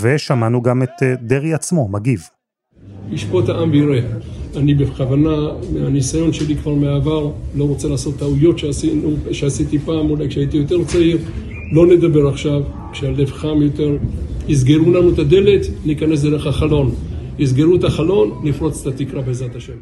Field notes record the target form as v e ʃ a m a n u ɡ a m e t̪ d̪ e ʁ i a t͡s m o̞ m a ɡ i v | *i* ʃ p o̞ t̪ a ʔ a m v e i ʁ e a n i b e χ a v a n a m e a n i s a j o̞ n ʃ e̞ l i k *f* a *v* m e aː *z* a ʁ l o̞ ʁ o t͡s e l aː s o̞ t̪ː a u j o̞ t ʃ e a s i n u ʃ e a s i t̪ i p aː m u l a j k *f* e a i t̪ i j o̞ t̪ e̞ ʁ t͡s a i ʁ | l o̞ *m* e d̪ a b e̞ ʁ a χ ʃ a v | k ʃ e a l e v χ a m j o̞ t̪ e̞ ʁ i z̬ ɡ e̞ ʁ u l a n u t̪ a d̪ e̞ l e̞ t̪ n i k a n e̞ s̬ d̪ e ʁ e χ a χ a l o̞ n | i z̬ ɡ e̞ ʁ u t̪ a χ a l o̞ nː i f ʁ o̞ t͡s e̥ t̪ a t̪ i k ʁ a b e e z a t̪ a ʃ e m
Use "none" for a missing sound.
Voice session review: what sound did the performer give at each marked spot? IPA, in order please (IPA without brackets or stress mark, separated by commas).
i, v, ʁ, v, ʃ, n